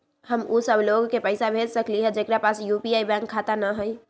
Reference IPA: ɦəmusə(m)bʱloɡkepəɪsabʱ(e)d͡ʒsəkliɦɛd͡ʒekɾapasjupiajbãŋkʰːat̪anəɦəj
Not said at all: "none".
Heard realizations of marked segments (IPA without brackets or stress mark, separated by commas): none, e